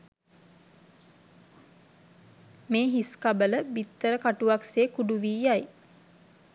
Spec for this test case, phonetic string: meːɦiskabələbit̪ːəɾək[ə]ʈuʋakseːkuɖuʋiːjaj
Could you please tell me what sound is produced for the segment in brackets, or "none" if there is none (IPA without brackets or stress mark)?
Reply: a